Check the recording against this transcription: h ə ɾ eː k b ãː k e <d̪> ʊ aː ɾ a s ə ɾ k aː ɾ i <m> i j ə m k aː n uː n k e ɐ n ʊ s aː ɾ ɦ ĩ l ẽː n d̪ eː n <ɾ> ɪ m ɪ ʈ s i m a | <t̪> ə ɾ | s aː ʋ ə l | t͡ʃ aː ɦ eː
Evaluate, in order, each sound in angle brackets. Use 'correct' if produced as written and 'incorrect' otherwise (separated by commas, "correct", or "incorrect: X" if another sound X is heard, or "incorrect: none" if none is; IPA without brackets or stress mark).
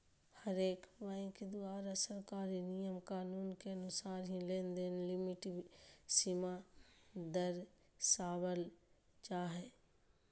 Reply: correct, incorrect: n, incorrect: l, incorrect: d̪